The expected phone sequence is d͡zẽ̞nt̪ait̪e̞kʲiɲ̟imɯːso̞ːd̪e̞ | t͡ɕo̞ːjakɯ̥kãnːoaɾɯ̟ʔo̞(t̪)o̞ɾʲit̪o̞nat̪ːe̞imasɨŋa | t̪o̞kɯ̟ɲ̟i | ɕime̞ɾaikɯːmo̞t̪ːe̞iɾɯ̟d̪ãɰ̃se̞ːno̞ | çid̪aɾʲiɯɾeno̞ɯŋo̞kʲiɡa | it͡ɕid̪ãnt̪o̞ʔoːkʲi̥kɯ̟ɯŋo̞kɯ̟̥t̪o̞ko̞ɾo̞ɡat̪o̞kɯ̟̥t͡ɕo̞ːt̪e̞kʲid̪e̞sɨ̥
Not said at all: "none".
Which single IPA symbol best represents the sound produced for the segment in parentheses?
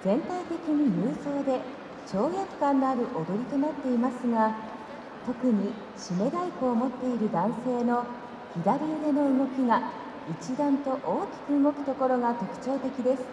d̪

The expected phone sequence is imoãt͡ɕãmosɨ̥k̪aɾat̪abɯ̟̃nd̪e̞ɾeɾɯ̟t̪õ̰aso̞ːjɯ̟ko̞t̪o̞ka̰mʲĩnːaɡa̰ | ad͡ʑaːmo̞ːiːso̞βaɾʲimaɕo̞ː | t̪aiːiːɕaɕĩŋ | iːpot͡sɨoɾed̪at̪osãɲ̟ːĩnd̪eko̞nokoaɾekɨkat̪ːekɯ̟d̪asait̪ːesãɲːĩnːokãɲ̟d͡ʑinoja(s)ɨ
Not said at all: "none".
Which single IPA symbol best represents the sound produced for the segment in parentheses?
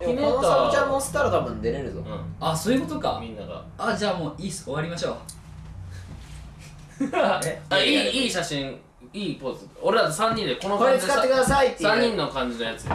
t͡s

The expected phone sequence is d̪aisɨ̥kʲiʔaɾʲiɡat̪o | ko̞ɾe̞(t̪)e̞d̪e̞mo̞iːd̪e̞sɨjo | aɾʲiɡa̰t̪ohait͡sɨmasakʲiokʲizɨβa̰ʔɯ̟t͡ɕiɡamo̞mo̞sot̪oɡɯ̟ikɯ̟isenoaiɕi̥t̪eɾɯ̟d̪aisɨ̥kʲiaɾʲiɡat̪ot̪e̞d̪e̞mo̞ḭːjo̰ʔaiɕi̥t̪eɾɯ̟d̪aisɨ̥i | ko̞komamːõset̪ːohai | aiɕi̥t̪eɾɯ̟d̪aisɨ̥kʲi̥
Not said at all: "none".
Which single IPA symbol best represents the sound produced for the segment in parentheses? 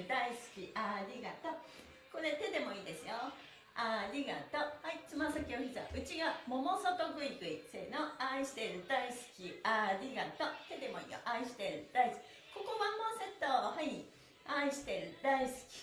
t̪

